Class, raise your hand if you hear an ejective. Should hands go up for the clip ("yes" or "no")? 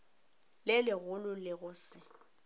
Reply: no